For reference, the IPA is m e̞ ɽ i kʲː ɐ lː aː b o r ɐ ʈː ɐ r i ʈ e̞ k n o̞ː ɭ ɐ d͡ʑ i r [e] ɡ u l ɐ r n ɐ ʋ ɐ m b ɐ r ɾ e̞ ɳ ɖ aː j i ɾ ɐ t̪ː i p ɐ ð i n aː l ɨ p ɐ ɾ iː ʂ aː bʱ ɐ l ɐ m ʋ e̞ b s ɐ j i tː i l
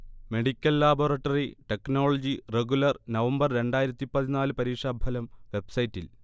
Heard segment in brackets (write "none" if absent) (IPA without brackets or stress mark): e